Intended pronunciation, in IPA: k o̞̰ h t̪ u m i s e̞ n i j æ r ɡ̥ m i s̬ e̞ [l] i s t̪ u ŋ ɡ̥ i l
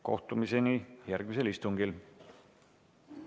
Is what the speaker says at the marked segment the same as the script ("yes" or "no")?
yes